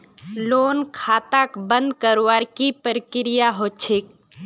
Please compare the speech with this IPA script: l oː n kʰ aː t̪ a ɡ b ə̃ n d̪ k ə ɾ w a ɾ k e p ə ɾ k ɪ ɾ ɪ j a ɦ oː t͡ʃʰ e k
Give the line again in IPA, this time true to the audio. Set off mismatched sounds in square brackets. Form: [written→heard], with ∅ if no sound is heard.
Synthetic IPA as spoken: l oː n kʰ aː t̪ a [ɡ→k] b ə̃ n d̪ k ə ɾ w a ɾ k [e→i] p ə ɾ k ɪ ɾ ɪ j a ɦ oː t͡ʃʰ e k